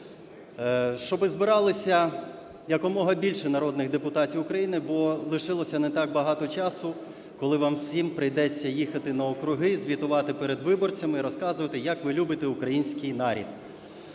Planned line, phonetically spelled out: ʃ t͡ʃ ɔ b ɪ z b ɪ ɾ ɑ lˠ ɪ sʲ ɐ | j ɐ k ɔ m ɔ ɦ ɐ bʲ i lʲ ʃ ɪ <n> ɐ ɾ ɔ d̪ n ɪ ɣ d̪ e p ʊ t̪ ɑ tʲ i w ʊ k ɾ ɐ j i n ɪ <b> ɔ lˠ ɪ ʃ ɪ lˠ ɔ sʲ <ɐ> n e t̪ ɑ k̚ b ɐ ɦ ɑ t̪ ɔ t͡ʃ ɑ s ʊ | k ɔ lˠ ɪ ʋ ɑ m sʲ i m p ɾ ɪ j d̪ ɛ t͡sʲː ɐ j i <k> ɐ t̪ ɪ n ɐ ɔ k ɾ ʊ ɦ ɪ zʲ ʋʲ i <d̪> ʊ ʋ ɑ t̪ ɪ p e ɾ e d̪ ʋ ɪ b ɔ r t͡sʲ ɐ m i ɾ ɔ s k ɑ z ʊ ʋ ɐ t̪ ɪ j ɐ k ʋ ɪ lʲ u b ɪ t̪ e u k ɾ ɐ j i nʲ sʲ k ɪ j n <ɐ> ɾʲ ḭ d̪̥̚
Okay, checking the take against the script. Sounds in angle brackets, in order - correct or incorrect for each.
correct, correct, correct, incorrect: x, incorrect: t̪, incorrect: ɑ

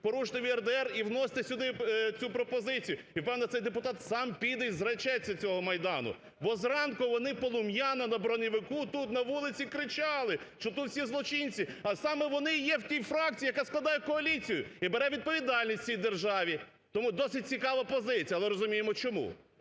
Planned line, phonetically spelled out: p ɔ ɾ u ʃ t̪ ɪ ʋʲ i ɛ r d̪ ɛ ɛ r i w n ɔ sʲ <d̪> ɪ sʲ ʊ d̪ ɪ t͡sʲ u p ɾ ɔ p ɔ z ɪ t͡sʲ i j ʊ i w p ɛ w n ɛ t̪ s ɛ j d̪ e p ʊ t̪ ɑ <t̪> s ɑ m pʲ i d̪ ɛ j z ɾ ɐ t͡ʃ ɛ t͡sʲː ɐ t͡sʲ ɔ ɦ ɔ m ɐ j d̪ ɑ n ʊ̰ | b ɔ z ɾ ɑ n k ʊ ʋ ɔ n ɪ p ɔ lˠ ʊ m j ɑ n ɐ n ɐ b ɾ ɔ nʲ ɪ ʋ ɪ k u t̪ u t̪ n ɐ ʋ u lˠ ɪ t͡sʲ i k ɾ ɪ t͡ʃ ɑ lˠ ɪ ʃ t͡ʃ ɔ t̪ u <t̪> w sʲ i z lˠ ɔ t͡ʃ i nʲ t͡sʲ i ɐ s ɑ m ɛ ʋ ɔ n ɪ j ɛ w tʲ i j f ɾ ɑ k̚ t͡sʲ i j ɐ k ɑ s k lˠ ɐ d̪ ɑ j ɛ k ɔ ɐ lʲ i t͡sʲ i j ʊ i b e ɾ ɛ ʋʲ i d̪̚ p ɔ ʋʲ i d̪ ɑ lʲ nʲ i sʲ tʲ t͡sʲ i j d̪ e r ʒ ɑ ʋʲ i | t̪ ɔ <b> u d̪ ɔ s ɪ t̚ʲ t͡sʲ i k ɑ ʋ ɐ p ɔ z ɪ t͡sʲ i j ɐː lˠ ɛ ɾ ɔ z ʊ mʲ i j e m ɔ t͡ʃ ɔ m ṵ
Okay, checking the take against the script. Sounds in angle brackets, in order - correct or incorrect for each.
incorrect: t̪, correct, correct, incorrect: m

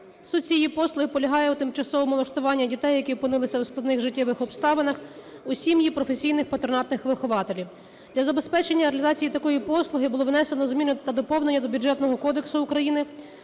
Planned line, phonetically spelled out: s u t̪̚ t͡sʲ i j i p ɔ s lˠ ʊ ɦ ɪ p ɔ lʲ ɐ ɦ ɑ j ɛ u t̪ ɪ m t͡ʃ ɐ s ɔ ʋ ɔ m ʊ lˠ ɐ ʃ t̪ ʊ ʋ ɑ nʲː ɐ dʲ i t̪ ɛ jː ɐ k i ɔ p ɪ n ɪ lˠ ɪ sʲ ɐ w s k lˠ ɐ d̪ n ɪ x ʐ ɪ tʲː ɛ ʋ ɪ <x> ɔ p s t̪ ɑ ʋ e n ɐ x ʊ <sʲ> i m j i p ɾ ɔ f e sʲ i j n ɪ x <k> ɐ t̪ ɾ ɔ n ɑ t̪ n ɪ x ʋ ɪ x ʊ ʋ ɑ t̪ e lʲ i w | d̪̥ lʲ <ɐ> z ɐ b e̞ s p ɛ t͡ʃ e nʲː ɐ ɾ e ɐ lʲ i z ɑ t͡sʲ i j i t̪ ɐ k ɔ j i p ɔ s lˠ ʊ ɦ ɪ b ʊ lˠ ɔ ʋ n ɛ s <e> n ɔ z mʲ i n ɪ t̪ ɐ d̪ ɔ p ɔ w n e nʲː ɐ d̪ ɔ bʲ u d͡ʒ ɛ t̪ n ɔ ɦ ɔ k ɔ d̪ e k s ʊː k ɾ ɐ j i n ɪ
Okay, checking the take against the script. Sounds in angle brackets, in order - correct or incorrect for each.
correct, correct, incorrect: p, correct, correct

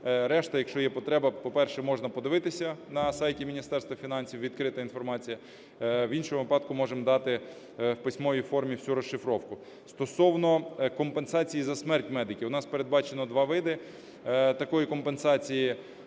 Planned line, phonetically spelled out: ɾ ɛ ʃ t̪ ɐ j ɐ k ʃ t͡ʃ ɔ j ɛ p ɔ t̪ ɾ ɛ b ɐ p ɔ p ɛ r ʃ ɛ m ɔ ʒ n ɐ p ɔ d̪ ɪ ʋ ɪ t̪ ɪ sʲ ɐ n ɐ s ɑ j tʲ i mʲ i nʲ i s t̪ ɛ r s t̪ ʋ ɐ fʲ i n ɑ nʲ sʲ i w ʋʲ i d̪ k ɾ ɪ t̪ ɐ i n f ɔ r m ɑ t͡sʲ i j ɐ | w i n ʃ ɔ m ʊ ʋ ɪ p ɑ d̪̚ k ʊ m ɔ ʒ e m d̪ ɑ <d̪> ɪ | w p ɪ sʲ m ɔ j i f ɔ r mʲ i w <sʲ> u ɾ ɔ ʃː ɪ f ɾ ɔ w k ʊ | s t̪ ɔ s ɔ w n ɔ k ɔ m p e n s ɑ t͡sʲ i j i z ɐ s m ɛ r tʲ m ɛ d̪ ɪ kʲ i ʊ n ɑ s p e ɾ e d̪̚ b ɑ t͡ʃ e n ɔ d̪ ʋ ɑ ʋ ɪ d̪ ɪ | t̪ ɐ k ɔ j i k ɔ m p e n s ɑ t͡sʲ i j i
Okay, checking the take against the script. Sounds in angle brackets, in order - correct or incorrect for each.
incorrect: t̪, correct

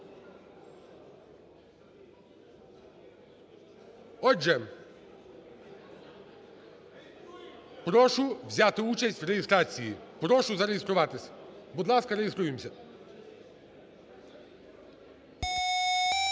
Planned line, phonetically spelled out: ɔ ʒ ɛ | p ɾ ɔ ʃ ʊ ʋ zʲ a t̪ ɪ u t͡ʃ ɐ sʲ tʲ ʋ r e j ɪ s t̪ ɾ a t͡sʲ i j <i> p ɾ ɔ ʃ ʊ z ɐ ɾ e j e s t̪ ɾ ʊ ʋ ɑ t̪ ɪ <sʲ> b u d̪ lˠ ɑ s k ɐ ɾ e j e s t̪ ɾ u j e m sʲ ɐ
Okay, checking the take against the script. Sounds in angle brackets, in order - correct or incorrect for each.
correct, correct

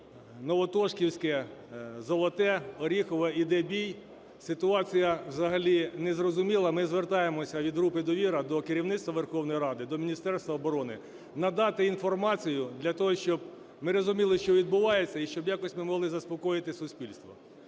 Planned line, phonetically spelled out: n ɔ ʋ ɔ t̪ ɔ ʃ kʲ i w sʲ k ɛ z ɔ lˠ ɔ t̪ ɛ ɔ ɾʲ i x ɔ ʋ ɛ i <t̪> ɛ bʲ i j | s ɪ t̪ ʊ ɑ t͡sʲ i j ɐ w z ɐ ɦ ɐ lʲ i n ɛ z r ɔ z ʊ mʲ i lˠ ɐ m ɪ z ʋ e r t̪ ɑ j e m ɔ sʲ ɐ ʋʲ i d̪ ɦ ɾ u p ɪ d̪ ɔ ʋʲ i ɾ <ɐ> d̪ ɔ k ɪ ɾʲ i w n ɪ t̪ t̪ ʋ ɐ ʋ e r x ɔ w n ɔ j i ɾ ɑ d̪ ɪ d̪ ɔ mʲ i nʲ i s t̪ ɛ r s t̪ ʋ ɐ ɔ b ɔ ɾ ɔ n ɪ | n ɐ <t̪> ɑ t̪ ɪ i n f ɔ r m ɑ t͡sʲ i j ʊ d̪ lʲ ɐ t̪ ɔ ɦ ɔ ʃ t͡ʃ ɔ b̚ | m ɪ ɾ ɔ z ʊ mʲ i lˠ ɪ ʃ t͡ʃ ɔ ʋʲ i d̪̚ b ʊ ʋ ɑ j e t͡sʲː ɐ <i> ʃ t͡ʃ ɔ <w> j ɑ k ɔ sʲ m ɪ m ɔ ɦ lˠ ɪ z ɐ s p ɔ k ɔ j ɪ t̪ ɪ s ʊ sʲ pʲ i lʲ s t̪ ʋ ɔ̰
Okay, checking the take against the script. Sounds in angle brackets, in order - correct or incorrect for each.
incorrect: d̪, correct, incorrect: d̪, correct, incorrect: b

